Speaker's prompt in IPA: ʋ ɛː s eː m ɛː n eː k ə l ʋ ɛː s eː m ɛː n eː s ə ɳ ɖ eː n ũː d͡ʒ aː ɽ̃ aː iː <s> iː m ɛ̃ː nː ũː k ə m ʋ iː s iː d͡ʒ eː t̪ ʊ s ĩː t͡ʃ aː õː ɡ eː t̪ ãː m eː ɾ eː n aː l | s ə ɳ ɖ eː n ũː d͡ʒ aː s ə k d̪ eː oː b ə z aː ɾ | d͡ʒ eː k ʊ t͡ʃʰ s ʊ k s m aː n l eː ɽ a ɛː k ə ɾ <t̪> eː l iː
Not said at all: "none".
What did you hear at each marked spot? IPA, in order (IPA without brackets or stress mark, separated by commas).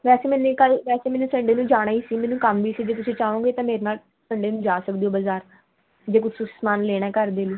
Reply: s, d̪